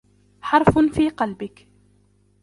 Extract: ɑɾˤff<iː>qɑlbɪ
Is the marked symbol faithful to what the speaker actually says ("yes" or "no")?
yes